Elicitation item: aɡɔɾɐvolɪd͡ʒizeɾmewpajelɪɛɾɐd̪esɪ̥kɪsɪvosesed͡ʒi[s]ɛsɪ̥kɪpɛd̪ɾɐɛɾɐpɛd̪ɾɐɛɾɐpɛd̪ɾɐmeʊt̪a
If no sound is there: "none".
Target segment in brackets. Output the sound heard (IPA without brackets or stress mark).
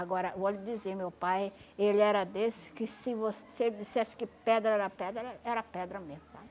s